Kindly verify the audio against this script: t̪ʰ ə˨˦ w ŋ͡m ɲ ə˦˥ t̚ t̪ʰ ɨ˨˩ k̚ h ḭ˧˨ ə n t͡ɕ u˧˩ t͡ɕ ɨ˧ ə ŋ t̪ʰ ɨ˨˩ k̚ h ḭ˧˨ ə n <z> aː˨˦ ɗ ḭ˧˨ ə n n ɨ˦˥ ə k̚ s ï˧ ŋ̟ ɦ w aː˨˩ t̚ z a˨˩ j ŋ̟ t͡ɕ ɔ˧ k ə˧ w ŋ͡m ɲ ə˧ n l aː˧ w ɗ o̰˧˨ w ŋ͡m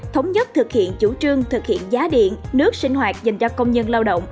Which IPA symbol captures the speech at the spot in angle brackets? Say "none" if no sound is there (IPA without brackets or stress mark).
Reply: z